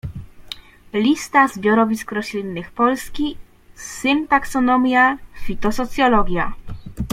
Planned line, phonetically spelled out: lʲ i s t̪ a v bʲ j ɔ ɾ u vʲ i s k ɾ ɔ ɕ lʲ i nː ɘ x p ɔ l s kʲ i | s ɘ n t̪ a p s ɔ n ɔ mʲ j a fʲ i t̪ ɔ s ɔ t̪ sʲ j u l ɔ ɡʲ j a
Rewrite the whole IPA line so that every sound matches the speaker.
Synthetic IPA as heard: lʲ i s t̪ a z bʲ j ɔ ɾ ɔ vʲ i s k ɾ ɔ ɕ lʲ i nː ɘ x p ɔ l s kʲ i | s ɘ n t̪ a k s ɔ n ɔ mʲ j a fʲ i t̪ ɔ s ɔ t̪ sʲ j ɔ l ɔ ɡʲ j a